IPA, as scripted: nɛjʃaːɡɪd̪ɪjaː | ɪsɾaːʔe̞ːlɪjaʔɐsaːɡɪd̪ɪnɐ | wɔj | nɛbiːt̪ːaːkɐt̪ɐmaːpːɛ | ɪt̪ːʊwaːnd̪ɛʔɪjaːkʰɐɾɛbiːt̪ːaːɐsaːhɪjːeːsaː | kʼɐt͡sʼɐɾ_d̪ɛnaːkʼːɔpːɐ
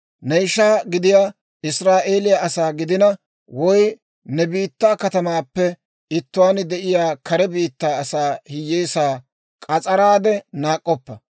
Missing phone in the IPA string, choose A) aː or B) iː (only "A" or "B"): A